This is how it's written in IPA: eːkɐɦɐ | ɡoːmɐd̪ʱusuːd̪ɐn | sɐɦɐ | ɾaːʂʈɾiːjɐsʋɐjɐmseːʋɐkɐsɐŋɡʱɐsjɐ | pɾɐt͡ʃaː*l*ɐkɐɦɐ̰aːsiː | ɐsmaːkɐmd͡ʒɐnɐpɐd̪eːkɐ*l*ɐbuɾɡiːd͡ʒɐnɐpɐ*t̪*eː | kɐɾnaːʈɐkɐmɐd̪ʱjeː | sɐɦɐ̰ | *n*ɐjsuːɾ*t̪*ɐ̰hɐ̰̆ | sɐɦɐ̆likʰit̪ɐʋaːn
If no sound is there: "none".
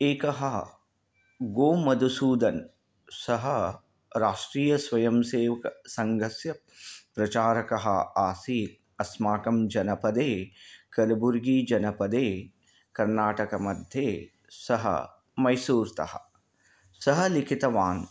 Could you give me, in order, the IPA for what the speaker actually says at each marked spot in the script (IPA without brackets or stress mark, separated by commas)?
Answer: ɾ, l, d̪, m, t̪